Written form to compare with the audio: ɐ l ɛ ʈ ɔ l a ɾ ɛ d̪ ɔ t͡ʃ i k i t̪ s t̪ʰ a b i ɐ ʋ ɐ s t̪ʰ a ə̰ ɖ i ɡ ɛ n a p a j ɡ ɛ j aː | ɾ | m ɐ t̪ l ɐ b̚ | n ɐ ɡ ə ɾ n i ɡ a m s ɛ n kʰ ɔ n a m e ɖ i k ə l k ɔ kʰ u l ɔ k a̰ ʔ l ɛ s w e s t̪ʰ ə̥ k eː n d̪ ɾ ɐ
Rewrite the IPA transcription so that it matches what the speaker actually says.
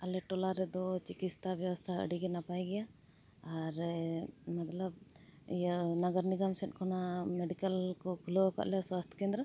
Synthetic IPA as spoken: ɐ l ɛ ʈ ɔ l a ɾ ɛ d̪ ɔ t͡ʃ i k i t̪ s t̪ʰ a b j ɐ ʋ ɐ s t̪ʰ a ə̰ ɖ i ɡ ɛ n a p a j ɡ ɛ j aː | ɾ | m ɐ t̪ l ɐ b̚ | n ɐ ɡ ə ɾ n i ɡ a m s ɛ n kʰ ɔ n a m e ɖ i k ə l k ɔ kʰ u l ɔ k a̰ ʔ l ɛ s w a s t̪ʰ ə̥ k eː n d̪ ɾ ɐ